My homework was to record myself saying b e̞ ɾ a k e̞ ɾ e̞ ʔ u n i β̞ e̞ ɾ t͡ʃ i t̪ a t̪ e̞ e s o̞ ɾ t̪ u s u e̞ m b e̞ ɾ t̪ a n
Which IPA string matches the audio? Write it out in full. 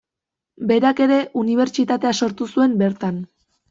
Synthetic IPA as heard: b e̞ ɾ a k e̞ ɾ e̞ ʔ u n i β̞ e̞ ɾ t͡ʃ i t̪ a t̪ e̞ a s o̞ ɾ t̪ u s u e̞ m b e̞ ɾ t̪ a n